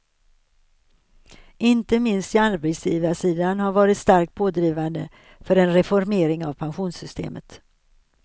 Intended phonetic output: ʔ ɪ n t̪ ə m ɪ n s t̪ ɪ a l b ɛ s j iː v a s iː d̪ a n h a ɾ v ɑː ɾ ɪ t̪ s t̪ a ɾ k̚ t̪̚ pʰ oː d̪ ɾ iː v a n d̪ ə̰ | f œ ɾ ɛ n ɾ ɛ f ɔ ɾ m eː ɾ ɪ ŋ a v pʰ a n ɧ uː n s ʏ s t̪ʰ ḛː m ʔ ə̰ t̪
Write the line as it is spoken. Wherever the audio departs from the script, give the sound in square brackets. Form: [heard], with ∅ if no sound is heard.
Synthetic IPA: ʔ ɪ n t̪ ə m ɪ n s t̪ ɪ a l b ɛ s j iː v a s iː d̪ a n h a ɾ v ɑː ɾ ɪ t̪ s t̪ a ɾ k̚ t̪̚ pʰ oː d̪ ɾ iː v a n d̪ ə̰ | f œ ɾ ɛ n ɾ ɛ f ɔ ɾ m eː ɾ ɪ ŋ a v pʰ a n ɧ uː n s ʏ s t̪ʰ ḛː m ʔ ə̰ t̪